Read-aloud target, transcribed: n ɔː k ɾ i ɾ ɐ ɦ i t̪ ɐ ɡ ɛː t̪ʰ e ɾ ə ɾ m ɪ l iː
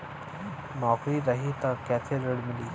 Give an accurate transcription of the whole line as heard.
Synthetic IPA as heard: n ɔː k ɾ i ɾ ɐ ɦ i t̪ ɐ k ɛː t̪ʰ e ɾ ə ɽ m ɪ l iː

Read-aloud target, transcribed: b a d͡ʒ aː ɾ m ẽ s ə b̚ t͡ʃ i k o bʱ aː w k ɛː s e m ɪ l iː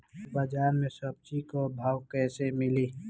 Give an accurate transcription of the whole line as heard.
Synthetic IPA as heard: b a d͡ʒ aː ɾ m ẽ s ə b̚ t͡ʃ i k o bʱ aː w k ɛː s e m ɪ l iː

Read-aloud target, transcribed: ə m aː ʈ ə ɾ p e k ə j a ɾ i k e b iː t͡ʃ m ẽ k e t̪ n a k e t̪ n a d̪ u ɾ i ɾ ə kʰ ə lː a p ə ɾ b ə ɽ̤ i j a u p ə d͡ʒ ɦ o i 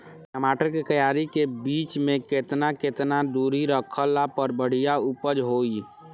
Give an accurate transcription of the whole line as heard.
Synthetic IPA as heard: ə m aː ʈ ə ɾ k e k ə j a ɾ i k e b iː t͡ʃ m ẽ k e t̪ n a k e t̪ n a d̪ u ɾ i ɾ ə kʰ ə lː a p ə ɾ b ə ɽ̤ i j a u p ə d͡ʒ ɦ o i

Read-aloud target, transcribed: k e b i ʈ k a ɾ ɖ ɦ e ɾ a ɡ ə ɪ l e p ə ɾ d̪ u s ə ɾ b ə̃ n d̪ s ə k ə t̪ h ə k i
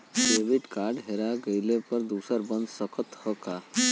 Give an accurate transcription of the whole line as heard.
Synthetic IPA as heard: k e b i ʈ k a ɾ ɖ ɦ e ɾ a ɡ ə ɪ l e p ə ɾ d̪ u s ə ɾ b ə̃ n d̪ s ə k ə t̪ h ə k a

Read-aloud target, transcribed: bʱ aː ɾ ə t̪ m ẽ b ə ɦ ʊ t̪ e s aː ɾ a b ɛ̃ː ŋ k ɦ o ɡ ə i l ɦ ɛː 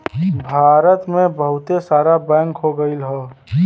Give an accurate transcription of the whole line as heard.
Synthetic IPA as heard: bʱ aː ɾ ə t̪ m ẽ b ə ɦ ʊ t̪ e s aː ɾ a b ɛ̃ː ŋ k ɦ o ɡ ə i l ɦ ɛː

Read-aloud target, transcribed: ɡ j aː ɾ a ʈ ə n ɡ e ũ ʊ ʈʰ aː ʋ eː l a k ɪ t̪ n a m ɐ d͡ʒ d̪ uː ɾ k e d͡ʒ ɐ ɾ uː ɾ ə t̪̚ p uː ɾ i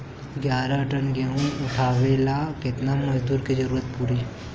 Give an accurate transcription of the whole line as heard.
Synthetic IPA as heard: ɡ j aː ɾ a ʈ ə n ɡ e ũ ʊ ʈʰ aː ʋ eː l a k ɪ t̪ n a m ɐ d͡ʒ d̪ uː ɾ k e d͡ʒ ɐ ɾ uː ɾ ə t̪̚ p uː ɾ i

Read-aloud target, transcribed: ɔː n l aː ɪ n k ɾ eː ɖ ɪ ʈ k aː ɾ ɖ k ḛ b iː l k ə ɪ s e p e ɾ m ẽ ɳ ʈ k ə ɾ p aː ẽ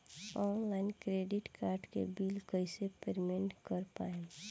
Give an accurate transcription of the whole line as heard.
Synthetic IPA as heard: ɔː n l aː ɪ n k ɾ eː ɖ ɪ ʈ k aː ɾ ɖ k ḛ b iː l k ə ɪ s e p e ɾ m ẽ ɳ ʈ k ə ɾ p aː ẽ

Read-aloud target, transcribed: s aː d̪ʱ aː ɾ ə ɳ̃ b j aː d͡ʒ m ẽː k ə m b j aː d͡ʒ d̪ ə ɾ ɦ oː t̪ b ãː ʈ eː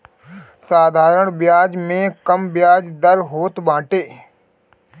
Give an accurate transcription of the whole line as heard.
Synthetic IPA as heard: s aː d̪ʱ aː ɾ ə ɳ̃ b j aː d͡ʒ m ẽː k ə m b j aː d͡ʒ d̪ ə ɾ ɦ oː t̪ b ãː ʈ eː

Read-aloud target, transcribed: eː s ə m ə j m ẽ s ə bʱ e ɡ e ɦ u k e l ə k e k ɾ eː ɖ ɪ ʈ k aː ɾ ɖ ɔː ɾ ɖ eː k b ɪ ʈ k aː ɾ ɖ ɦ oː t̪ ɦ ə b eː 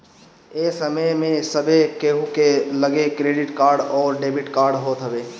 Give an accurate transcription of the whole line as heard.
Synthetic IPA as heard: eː s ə m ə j m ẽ s ə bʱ e k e ɦ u k e l ə ɡ e k ɾ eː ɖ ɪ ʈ k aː ɾ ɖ ɔː ɾ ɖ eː b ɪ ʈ k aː ɾ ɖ ɦ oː t̪ ɦ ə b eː

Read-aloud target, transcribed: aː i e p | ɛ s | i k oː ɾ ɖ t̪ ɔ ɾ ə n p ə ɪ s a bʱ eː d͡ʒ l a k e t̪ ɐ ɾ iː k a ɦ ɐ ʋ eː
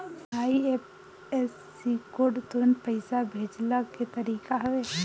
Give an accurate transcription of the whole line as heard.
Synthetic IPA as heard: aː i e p | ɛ s | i k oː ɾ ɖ t̪ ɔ ɾ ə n p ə ɪ s a bʱ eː d͡ʒ l a k e t̪ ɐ ɾ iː k a ɦ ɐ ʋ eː

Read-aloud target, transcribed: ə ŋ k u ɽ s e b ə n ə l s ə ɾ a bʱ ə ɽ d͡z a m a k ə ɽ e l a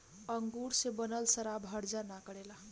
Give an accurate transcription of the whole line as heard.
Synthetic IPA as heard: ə ŋ ɡ u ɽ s e b ə n ə l s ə ɾ a bʱ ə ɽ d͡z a n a k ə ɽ e l a

